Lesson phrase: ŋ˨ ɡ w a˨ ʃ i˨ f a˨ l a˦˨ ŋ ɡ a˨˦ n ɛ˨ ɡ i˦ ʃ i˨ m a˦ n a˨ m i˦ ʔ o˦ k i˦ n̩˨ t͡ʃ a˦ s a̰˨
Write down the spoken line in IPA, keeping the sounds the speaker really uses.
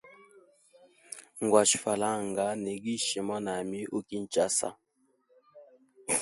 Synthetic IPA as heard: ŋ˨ ɡ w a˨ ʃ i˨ f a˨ l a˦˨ ŋ ɡ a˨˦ n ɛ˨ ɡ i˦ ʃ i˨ m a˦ n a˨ m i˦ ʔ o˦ k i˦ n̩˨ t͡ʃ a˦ s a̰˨